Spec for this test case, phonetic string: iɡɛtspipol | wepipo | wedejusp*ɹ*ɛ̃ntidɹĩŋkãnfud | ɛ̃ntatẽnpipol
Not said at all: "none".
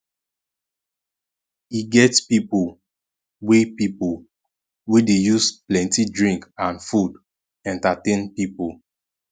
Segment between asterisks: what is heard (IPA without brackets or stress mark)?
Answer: l